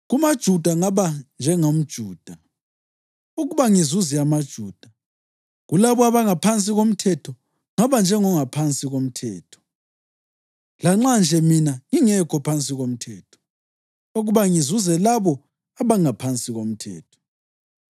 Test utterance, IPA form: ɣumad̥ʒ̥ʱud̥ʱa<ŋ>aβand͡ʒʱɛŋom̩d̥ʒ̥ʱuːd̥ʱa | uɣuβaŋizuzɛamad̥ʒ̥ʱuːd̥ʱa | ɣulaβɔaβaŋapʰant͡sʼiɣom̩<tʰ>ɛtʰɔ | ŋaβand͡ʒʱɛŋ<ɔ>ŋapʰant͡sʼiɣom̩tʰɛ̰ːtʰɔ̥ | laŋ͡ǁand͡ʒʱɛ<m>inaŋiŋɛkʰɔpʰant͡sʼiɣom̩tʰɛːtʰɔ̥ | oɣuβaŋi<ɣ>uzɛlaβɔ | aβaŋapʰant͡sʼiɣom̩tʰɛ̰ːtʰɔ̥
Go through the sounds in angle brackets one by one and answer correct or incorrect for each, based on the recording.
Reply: correct, correct, correct, correct, incorrect

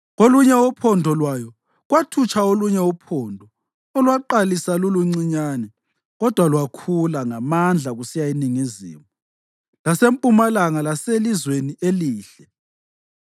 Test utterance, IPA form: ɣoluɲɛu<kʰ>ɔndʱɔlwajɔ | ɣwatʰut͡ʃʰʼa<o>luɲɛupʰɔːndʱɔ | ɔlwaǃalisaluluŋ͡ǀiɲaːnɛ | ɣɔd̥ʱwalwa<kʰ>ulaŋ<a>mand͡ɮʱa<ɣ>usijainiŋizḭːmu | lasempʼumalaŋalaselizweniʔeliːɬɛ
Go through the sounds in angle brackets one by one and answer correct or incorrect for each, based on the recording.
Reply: incorrect, correct, correct, correct, correct

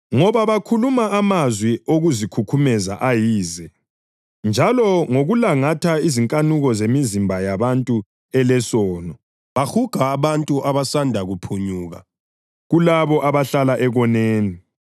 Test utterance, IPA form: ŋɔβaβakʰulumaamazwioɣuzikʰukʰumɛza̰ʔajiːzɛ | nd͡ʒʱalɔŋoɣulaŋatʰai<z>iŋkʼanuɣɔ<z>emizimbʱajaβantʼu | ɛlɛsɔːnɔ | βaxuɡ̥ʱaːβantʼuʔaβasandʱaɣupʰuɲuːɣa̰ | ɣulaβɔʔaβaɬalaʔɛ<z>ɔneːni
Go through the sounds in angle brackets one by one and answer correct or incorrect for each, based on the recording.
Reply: correct, correct, incorrect

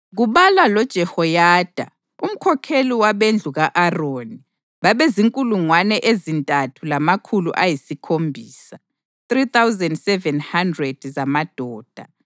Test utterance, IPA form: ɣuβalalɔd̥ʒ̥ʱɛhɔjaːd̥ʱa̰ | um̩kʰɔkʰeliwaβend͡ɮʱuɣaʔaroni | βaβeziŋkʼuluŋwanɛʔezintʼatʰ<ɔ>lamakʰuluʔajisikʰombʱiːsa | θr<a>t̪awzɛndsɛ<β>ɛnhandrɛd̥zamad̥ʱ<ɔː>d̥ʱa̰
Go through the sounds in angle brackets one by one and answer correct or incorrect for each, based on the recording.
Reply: incorrect, incorrect, incorrect, correct

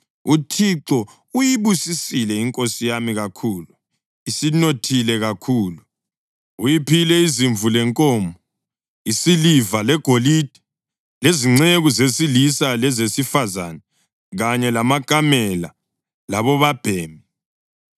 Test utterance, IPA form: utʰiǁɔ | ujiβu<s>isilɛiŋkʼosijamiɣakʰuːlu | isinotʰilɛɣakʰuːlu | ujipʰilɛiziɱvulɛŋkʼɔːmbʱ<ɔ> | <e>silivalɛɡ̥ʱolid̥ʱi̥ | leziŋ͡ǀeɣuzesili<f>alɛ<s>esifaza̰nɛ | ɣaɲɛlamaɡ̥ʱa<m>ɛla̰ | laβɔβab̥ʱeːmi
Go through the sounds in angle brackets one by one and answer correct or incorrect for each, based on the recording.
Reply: correct, correct, incorrect, incorrect, incorrect, correct

